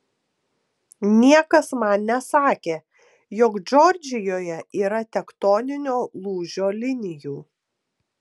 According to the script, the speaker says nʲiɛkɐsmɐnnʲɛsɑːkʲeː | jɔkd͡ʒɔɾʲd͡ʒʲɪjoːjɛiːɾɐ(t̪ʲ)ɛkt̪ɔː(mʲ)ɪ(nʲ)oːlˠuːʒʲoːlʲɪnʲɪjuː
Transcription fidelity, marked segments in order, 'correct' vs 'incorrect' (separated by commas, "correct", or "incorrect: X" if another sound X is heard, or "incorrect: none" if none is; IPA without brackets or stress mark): correct, incorrect: nʲ, correct